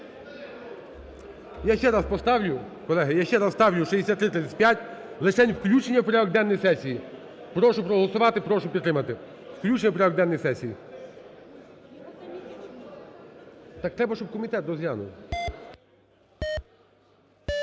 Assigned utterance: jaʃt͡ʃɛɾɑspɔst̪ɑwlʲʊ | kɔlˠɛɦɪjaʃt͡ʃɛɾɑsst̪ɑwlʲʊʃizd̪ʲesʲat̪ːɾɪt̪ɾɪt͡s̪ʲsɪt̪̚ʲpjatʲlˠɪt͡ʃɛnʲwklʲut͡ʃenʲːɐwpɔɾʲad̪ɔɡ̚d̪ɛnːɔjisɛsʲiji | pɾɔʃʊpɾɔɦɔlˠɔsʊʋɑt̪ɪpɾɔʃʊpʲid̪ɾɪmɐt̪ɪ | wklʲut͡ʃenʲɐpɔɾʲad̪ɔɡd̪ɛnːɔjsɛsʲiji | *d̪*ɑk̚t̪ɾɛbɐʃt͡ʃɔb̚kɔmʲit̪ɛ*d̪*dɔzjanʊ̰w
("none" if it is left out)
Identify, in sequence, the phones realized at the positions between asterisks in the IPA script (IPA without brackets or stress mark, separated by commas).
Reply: t̪, t̪